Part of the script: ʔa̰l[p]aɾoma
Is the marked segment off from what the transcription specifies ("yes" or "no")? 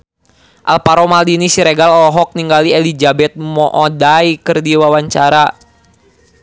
no